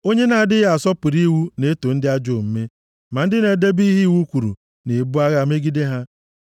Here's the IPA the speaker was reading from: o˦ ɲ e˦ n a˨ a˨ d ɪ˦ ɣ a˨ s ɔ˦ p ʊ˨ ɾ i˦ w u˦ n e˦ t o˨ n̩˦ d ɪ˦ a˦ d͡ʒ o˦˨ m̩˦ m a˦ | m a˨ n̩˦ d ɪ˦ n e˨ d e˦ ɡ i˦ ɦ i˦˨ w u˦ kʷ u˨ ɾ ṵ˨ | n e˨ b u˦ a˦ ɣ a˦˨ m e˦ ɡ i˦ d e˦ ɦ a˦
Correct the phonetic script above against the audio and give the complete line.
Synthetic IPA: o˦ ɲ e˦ n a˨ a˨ d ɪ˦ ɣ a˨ s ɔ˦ p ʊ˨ ɾ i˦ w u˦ n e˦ t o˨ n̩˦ d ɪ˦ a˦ d͡ʒ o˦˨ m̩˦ m e˦ | m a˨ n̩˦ d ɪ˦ n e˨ d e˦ b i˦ ɦ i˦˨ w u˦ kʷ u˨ ɾ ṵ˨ | n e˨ b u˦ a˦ ɣ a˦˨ m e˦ ɡ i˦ d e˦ ɦ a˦